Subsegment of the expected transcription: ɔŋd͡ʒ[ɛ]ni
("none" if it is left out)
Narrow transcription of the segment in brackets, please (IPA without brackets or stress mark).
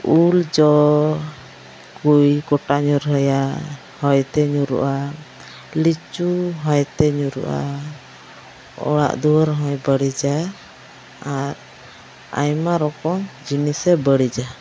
i